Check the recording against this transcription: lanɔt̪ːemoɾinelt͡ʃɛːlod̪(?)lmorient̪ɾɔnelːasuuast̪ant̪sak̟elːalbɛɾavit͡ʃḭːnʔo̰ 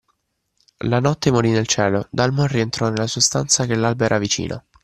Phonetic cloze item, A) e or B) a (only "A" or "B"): B